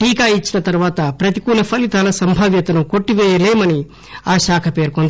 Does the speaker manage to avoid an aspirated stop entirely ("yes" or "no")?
no